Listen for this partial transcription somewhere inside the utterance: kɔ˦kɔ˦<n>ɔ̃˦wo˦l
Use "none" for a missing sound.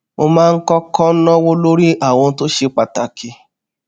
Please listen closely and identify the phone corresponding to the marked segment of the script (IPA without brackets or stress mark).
n